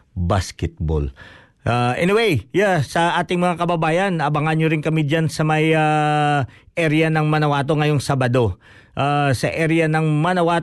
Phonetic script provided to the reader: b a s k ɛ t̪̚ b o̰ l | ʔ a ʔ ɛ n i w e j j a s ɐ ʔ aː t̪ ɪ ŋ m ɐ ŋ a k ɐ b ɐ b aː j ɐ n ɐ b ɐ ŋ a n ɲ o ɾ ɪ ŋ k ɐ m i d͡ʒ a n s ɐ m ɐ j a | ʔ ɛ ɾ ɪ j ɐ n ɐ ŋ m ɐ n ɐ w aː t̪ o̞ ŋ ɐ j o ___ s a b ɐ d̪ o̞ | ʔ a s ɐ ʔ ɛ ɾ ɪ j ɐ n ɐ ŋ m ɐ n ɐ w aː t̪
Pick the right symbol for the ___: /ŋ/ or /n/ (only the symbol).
ŋ